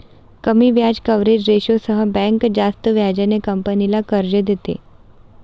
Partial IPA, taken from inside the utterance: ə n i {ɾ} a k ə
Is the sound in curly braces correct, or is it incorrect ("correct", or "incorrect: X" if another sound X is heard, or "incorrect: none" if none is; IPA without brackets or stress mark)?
incorrect: l